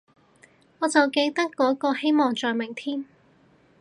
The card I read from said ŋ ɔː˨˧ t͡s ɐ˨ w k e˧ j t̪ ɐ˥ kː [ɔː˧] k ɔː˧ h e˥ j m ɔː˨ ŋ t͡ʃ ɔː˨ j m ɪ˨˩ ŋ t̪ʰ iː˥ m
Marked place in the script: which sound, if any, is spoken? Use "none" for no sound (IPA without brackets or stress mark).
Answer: ɔː˨˥